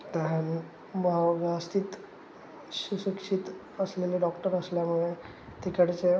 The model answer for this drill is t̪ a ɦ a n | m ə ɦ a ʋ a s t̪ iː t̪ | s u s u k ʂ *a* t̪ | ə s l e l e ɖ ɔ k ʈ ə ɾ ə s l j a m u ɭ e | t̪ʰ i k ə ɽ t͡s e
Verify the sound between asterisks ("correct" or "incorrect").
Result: incorrect